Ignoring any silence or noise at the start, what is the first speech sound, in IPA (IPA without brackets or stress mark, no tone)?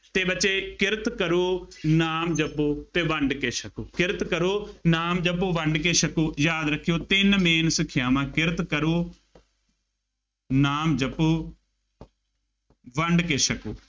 t̪